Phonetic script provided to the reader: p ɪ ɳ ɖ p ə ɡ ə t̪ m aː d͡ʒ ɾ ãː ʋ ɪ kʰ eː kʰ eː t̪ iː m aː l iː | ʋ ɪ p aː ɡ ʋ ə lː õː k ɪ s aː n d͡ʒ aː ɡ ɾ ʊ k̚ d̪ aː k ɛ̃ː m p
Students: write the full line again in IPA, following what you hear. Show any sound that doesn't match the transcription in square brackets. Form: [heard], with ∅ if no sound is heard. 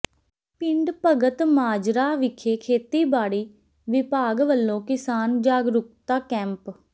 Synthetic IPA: p ɪ ɳ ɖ p ə ɡ ə t̪ m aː d͡ʒ ɾ [aː] ʋ ɪ kʰ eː kʰ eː t̪ iː [b] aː [ɽ] iː | ʋ ɪ p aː ɡ ʋ ə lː õː k ɪ s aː n d͡ʒ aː ɡ ɾ ʊ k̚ [t̪] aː k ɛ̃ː m p